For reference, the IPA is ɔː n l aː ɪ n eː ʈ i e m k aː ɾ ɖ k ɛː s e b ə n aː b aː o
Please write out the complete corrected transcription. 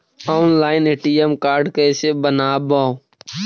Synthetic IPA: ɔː n l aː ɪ n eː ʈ i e m k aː ɾ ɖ k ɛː s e b ə n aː b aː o